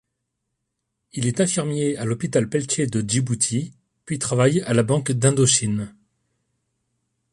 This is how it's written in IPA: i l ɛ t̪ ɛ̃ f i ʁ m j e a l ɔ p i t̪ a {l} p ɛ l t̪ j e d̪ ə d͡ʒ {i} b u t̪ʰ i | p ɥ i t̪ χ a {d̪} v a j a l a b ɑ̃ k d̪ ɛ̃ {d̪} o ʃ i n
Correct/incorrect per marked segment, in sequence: correct, correct, incorrect: none, correct

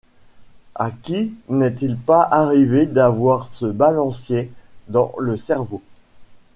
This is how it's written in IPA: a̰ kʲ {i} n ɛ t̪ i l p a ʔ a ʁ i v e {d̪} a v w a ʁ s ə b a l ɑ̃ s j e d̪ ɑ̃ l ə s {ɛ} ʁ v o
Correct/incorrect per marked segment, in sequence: correct, correct, correct

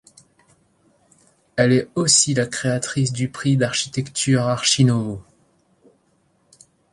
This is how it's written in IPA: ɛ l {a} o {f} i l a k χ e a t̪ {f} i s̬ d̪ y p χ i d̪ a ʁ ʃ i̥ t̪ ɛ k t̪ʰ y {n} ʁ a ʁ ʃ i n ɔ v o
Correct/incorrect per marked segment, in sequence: incorrect: ɛ, incorrect: s, incorrect: χ, incorrect: none

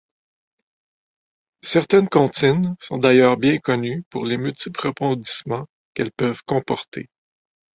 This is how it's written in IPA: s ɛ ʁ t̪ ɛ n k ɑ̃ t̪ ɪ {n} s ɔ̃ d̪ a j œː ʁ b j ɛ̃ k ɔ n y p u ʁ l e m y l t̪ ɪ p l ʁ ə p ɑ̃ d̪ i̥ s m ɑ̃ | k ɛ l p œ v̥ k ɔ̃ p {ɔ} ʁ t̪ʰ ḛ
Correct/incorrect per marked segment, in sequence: correct, correct

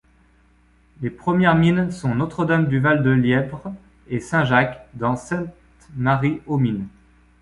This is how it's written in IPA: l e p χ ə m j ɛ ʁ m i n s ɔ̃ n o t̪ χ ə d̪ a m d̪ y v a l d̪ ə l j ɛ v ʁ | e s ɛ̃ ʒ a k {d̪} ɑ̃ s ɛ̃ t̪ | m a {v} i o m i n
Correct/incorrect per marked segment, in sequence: correct, incorrect: ʁ

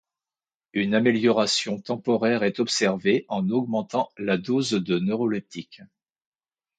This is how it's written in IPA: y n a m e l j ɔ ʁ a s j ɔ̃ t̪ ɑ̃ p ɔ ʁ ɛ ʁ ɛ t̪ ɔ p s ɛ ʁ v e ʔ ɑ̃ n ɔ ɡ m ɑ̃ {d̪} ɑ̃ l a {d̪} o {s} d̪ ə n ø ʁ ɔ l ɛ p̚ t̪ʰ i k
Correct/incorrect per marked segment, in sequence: incorrect: t̪, correct, incorrect: z

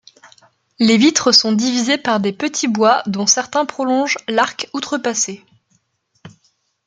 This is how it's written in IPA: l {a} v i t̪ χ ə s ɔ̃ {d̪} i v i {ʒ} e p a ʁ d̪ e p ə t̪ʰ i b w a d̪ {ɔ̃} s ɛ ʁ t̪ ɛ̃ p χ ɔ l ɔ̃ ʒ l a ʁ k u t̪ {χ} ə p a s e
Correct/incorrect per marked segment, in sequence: incorrect: e, correct, incorrect: z, correct, correct

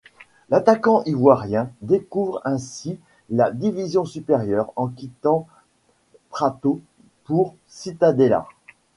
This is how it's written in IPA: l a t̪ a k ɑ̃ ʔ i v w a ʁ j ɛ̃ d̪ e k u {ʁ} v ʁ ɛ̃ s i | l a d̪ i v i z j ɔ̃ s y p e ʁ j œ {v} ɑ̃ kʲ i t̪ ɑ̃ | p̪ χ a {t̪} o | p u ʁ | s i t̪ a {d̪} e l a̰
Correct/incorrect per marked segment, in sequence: incorrect: none, incorrect: ʁ, correct, correct

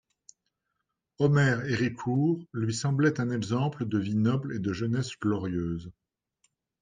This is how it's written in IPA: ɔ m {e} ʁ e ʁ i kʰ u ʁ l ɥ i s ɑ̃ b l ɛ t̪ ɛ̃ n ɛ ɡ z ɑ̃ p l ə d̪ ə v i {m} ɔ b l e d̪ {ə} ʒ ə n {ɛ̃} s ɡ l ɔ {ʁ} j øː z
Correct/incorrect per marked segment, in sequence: incorrect: ɛ, incorrect: n, correct, incorrect: ɛ, correct

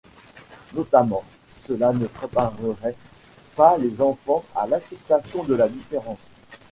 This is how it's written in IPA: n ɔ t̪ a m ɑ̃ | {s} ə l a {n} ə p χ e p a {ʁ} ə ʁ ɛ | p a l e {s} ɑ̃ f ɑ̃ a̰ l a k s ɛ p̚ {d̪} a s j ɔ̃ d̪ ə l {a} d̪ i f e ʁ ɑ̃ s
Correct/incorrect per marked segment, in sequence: correct, correct, correct, incorrect: z, incorrect: t̪, correct

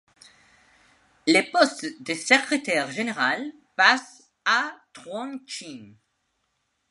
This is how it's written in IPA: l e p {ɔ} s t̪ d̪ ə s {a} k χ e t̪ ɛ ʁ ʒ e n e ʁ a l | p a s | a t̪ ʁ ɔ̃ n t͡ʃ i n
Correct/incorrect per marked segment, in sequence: correct, incorrect: ə

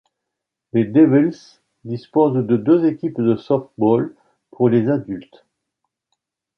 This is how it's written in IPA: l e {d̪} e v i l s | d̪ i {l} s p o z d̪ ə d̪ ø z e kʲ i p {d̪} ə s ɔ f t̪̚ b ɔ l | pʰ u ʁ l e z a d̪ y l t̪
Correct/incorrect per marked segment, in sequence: correct, incorrect: none, correct

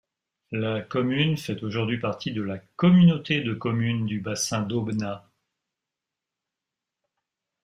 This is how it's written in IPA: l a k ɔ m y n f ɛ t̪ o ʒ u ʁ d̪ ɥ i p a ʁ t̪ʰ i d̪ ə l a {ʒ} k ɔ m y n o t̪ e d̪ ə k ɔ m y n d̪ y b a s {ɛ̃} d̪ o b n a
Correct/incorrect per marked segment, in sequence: incorrect: none, correct

